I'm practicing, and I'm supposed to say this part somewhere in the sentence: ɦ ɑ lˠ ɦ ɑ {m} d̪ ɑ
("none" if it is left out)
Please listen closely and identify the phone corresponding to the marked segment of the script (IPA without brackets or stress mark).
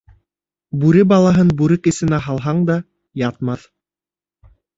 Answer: ɴ